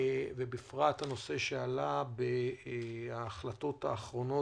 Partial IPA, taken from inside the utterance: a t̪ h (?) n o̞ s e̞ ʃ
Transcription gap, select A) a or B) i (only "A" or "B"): A